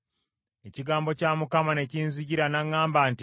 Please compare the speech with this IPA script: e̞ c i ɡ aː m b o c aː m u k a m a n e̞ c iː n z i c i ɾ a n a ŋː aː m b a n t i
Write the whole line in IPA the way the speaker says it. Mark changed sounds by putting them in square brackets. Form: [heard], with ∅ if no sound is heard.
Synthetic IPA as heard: e̞ c i ɡ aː m b o c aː m u k a m a n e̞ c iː n z i [ɟ] i ɾ a n a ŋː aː m b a n t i